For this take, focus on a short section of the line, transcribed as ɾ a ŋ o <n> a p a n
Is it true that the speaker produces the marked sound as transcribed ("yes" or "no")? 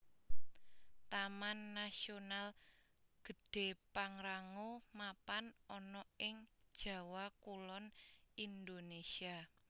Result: no